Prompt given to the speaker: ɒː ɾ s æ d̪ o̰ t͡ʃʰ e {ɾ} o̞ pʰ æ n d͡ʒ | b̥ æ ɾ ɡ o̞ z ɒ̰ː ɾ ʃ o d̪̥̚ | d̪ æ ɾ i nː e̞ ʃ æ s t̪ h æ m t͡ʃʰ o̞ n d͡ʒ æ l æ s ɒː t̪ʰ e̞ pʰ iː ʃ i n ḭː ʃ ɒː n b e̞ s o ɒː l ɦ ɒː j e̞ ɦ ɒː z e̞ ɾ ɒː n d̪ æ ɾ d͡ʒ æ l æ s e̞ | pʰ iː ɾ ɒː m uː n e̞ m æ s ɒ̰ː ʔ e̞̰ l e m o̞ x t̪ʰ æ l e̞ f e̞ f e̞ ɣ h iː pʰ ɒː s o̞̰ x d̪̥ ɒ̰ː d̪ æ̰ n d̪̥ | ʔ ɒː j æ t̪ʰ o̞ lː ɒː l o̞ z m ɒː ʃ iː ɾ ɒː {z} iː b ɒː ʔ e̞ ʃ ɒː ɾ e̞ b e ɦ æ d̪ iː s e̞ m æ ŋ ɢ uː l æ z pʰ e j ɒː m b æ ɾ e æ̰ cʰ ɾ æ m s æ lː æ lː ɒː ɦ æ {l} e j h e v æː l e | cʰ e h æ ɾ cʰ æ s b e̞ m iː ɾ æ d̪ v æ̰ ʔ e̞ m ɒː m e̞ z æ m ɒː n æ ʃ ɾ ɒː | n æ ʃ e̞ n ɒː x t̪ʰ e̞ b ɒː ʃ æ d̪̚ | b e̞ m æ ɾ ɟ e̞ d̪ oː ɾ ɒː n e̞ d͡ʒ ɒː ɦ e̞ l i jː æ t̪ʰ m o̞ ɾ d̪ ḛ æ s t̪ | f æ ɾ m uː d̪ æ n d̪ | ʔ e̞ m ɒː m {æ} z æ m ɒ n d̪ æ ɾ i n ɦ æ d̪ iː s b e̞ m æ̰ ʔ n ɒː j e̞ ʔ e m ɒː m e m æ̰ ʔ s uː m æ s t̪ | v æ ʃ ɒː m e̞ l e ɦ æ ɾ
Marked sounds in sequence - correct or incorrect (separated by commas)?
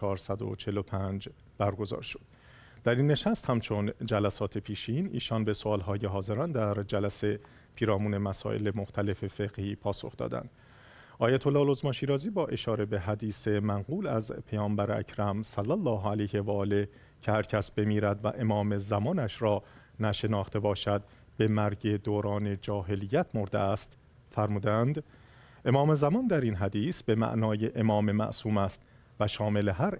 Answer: incorrect, correct, correct, incorrect